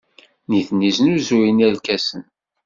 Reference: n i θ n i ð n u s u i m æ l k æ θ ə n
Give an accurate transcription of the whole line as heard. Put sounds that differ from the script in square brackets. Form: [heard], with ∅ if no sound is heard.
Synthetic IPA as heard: n i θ n i [z] n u [z] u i [n] æ l k æ [s] ə n